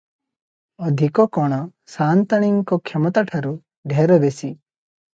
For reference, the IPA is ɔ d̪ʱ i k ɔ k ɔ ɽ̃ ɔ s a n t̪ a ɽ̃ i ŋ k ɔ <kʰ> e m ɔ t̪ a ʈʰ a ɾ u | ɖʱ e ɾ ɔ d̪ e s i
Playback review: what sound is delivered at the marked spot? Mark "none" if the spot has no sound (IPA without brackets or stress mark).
kʰ